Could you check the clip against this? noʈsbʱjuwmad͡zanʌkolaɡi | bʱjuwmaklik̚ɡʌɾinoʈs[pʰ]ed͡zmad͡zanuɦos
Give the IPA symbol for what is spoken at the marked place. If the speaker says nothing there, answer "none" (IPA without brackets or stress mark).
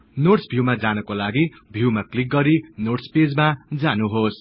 p